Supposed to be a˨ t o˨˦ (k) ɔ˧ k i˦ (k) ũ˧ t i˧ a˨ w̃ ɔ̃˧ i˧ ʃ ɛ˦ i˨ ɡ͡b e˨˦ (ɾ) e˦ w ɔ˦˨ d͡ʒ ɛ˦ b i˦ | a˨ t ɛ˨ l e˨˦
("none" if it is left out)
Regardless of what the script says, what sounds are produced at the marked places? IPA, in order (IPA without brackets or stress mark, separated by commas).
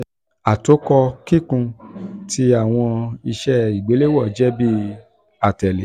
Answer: k, k, l